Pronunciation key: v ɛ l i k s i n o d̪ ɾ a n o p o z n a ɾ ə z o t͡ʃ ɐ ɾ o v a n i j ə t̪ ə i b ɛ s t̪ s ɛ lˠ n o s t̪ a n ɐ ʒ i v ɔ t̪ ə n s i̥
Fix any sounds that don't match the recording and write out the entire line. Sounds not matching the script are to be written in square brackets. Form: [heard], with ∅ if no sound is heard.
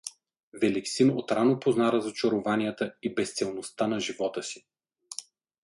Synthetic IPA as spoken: v ɛ l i k s i n o [t̪] ɾ a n o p o z n a ɾ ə z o t͡ʃ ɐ ɾ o v a n i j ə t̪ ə i b ɛ s t̪ s ɛ lˠ n o s t̪ a n ɐ ʒ i v ɔ t̪ ə [∅] s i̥